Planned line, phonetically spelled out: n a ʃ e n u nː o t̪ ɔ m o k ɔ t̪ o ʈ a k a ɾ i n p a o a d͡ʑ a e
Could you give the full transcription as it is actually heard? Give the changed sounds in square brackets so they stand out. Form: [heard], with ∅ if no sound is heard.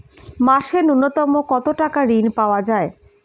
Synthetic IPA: [m] a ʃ e n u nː o t̪ ɔ m o k ɔ t̪ o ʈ a k a ɾ i n p a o a d͡ʑ a e